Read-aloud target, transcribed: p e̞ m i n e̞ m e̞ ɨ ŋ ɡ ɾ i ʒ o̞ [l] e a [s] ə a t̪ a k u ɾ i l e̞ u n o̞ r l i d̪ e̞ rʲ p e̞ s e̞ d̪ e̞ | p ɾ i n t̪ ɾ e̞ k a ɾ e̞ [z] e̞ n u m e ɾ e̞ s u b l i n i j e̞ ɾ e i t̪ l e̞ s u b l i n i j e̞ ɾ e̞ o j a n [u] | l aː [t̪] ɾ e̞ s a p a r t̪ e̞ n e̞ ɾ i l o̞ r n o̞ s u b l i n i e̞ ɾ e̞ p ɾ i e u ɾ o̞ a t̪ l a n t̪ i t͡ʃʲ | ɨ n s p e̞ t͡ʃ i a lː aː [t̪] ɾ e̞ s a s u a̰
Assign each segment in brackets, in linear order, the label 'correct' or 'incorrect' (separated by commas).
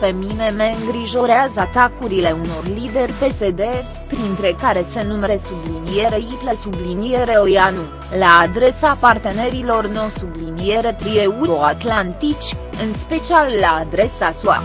incorrect, incorrect, incorrect, correct, incorrect, incorrect